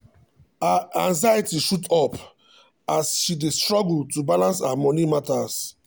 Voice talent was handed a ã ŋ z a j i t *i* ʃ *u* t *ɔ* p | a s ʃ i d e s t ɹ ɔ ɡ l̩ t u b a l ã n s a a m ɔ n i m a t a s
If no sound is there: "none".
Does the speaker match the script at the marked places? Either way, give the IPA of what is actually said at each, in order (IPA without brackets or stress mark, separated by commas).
i, u, ɔ